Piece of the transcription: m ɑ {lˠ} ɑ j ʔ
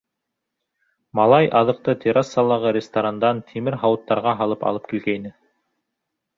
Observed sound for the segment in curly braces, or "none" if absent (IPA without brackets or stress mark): lˠ